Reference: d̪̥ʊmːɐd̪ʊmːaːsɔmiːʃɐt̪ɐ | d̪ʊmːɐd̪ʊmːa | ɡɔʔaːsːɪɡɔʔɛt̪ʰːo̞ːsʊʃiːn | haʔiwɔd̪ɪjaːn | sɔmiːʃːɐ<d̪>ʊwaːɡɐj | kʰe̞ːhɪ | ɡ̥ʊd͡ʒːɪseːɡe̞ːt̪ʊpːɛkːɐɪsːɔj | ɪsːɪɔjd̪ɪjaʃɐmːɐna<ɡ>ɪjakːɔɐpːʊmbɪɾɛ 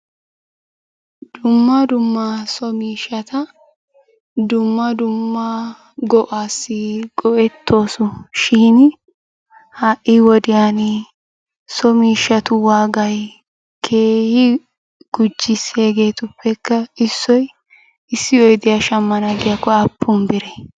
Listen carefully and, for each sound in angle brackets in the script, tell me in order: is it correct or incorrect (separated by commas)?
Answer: incorrect, correct